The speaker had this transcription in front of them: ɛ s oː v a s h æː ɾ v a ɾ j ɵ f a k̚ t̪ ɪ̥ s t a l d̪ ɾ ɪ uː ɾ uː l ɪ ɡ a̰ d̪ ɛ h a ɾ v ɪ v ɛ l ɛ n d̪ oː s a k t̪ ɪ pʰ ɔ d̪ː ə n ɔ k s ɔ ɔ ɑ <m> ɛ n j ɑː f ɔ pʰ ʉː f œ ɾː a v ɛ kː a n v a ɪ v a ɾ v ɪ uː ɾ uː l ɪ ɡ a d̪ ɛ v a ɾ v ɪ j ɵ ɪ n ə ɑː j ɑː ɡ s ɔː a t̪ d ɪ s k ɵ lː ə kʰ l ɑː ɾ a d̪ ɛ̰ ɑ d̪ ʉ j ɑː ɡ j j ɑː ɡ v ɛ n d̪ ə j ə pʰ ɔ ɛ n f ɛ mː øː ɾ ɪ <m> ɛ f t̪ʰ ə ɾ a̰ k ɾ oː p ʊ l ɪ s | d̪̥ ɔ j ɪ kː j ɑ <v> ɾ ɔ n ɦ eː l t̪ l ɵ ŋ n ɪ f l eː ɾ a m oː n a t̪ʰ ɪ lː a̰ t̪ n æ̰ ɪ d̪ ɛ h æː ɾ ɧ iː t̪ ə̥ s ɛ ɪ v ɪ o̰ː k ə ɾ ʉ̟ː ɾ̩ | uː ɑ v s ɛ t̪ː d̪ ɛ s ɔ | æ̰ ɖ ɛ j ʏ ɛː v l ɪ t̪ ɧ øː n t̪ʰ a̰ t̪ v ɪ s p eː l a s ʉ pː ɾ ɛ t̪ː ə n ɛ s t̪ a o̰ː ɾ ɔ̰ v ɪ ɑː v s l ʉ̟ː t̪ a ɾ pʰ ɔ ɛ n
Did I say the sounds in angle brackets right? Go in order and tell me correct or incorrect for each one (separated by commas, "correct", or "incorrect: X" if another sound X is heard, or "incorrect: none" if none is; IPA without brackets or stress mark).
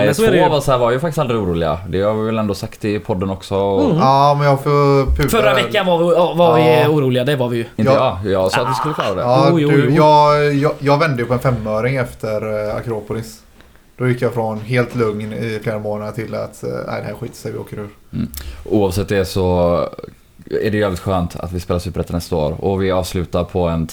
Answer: correct, incorrect: ŋ, incorrect: f